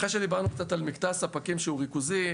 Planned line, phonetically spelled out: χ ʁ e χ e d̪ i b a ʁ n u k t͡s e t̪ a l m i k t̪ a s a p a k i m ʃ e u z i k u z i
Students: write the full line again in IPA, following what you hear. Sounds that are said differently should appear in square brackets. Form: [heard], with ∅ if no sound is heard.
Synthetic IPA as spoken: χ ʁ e [ʃ] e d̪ i b a ʁ n u k t͡s [a] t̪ a l m i k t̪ a s a p a k i m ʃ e u [ʁ] i k u z i